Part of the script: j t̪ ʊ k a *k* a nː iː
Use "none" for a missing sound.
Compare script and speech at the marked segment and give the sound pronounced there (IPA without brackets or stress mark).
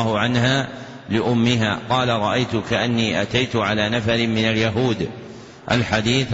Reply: ʔ